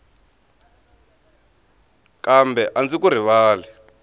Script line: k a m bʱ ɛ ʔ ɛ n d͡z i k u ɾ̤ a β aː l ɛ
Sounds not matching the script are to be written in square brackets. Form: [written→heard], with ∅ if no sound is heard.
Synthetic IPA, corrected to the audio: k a m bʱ ɛ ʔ [ɛ→a] n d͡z i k u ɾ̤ [a→i] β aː l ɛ